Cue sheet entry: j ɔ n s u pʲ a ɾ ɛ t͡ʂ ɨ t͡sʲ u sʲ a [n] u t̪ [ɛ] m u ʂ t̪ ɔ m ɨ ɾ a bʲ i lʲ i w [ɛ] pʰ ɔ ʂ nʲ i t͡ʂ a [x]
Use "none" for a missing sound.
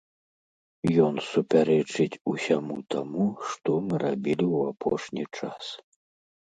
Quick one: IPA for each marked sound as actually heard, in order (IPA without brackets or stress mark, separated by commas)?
m, a, a, s